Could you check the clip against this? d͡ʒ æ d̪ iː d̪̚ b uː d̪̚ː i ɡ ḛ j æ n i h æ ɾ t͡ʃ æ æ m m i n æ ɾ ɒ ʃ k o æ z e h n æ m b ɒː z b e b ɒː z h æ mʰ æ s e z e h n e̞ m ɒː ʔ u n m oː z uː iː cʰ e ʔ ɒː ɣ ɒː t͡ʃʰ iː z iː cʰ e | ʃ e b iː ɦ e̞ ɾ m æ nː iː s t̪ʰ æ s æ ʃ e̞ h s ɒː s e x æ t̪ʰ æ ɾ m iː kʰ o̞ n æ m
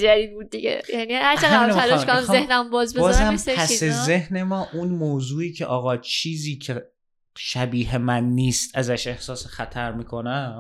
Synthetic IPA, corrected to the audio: d͡ʒ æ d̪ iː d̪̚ b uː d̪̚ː i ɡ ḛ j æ n i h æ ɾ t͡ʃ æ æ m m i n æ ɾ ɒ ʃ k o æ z e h n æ m b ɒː z b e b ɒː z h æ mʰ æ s e z e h n e̞ m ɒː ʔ u n m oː z uː iː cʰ e ʔ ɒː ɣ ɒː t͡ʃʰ iː z iː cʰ e | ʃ æ b iː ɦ e̞ m æ nː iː s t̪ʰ æ z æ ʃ e̞ h s ɒː s e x æ t̪ʰ æ ɾ m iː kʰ o̞ n æ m